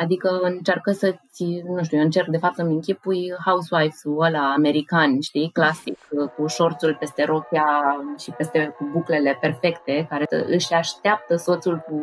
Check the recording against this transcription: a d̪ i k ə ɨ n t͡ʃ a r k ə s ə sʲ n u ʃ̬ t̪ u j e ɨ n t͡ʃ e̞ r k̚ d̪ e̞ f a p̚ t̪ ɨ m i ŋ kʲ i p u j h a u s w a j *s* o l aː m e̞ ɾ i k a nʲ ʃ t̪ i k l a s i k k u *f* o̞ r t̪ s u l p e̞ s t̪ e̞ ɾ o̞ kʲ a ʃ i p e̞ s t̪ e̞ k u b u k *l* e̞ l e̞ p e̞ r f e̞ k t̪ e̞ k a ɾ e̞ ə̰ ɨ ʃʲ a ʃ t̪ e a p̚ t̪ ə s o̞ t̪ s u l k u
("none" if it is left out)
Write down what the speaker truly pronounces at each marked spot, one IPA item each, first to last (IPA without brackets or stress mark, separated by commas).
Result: f, ʃ, l